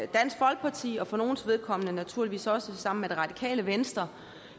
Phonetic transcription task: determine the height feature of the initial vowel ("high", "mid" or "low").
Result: low